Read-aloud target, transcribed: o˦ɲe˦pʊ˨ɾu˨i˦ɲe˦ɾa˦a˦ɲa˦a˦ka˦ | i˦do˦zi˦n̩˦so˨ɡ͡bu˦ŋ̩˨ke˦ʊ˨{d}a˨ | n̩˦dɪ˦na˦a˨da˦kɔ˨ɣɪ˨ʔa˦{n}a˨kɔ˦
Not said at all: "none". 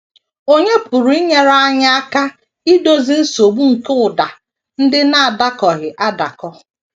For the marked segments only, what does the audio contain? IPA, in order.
d, d

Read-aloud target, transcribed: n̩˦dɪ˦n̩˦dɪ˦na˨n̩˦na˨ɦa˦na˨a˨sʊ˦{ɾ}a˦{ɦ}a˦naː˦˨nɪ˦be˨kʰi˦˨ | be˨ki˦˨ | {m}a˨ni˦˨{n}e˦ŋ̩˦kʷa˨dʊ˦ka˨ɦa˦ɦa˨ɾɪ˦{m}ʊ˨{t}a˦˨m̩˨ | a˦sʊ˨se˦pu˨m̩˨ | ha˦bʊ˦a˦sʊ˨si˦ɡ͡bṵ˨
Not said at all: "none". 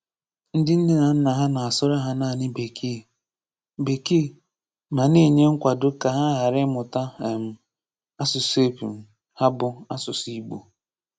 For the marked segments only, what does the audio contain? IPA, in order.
ɾ, ɦ, m, ɲ, m, t

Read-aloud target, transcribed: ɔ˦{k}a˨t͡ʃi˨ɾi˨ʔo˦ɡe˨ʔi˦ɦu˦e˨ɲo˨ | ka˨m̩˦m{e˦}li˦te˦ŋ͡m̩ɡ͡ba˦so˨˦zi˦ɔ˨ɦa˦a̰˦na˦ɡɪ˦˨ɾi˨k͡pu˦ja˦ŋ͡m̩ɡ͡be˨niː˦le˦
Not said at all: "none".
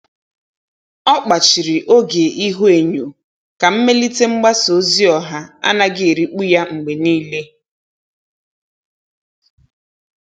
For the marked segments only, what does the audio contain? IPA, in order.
k͡p, e˦

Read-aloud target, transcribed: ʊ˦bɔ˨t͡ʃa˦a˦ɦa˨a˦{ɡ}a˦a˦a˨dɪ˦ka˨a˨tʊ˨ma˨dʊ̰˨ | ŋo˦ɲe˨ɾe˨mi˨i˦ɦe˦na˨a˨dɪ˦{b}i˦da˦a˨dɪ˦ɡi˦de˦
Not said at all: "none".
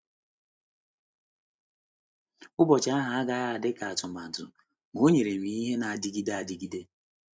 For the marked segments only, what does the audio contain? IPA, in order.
ɡ, ɡ

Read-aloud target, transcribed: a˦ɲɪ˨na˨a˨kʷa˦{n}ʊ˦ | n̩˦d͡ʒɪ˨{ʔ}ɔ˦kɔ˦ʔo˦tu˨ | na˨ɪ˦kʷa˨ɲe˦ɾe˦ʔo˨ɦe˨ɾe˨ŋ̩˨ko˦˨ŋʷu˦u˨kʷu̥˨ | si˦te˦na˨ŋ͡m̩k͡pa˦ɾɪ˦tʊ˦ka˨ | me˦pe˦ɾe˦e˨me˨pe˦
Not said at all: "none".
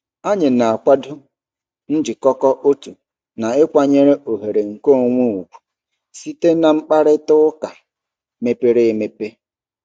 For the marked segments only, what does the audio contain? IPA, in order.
d, k

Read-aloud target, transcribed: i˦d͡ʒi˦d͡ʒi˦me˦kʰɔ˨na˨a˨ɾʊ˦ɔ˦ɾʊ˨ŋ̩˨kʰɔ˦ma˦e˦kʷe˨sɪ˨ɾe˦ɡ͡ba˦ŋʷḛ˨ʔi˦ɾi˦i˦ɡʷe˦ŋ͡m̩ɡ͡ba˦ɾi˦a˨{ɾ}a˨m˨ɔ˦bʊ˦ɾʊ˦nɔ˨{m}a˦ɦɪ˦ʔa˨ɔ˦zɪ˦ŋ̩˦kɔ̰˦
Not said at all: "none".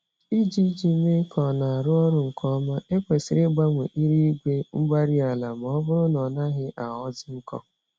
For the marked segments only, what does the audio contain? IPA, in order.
l, n

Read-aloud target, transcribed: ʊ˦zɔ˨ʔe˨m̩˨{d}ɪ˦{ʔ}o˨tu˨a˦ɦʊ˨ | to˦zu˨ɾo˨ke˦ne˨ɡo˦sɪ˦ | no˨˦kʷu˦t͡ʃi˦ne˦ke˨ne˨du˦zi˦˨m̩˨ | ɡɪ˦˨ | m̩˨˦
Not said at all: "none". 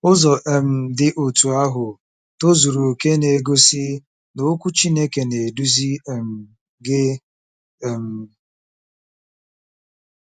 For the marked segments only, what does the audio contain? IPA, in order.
d, ʔ

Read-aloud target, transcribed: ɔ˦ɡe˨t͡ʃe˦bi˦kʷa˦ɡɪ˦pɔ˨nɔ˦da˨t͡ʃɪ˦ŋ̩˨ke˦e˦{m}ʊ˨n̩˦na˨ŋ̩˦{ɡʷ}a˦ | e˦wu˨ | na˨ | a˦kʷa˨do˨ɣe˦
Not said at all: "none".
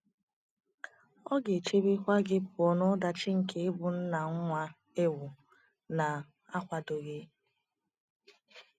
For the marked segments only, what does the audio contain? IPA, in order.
b, ŋʷ

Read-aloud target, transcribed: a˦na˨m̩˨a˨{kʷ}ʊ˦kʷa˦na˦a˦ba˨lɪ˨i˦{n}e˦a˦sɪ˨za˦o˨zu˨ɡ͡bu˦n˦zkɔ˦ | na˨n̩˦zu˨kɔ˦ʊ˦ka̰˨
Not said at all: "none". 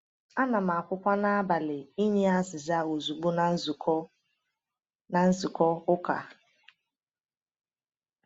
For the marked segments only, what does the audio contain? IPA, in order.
kʷ, ɲ

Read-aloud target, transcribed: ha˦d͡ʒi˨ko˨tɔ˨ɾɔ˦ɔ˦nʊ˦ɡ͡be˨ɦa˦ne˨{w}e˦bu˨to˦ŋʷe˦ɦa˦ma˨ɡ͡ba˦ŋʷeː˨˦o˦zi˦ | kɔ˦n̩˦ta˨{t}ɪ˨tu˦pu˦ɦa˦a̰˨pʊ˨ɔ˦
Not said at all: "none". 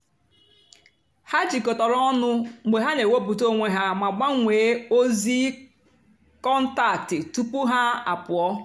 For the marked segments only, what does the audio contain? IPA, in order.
w, t

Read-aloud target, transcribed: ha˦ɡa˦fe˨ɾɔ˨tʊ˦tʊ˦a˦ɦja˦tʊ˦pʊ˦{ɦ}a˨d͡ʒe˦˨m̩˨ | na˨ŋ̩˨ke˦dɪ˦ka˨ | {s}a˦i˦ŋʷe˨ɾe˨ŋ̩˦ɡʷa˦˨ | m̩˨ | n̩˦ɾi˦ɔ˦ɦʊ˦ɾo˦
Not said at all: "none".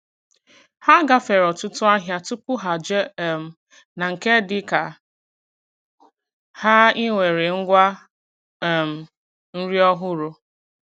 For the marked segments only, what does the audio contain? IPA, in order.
ɦ, h

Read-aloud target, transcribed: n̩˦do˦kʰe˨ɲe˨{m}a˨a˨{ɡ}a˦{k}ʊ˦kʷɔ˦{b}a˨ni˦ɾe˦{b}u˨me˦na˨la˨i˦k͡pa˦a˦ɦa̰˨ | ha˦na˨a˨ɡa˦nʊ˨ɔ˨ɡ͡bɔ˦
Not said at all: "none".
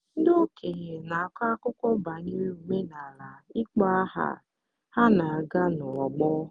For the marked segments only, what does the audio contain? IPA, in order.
n, k, k, b, none

